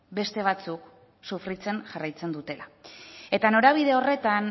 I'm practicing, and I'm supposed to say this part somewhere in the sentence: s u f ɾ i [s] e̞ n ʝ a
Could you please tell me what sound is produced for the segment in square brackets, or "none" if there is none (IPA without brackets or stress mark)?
t͡s